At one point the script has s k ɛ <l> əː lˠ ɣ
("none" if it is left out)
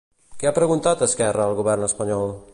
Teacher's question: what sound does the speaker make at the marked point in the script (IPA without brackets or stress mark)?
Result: r